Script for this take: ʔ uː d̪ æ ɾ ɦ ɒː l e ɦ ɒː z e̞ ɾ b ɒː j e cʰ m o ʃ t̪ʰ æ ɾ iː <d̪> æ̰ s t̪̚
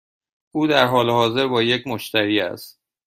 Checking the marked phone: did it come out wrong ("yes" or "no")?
yes